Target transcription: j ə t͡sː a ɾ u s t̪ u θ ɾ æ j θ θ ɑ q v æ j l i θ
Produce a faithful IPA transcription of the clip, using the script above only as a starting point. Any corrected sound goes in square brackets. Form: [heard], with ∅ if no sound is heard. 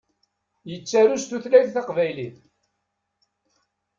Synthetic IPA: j ə t͡sː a ɾ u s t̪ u θ [l] æ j θ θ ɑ q v æ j l i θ